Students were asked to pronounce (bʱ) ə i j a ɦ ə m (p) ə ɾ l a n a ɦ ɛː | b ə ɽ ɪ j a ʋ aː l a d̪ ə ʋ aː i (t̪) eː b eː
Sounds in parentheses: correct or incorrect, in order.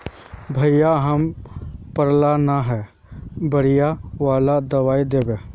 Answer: correct, correct, incorrect: d̪

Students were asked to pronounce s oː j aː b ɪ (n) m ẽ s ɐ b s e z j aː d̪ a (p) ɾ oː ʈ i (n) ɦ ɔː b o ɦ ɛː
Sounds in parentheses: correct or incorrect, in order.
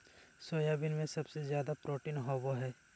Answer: correct, correct, correct

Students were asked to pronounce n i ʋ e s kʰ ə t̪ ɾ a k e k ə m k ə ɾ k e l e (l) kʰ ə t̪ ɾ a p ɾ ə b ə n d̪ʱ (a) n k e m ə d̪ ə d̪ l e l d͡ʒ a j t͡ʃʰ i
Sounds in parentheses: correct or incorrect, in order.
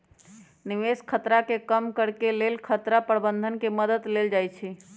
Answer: correct, incorrect: ə

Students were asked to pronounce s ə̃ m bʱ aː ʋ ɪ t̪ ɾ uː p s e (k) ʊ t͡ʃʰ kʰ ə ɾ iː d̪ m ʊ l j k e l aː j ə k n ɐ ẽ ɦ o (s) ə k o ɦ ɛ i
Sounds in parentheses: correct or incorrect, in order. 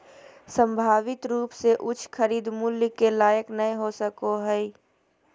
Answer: incorrect: ʔ, correct

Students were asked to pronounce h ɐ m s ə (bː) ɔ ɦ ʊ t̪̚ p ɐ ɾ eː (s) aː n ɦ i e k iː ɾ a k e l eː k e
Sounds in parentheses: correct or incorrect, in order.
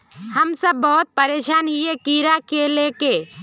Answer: correct, incorrect: ʃ

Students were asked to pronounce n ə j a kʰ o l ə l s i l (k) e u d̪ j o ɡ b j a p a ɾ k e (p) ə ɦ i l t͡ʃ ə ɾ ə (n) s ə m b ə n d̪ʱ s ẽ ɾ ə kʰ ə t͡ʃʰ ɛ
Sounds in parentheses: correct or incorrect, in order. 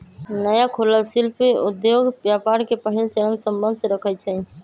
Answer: incorrect: p, correct, correct

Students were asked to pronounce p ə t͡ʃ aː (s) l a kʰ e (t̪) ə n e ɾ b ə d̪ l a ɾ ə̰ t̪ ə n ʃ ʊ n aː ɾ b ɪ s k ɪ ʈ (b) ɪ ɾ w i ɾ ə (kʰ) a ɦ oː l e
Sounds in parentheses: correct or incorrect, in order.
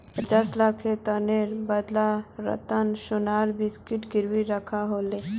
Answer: correct, correct, incorrect: ɡ, correct

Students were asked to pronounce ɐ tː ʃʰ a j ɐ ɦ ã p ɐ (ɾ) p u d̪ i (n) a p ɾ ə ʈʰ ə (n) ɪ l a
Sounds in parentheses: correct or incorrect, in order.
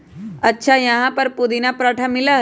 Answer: correct, correct, incorrect: m

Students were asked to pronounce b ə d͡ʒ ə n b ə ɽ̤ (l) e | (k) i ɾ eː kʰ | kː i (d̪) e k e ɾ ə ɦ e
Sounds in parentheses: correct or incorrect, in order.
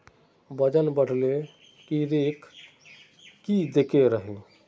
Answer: correct, correct, correct

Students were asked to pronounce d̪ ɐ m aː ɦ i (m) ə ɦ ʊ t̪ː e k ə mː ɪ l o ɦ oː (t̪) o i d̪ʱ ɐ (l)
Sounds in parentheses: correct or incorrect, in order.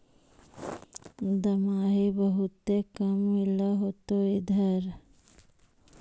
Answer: incorrect: b, correct, incorrect: ɾ

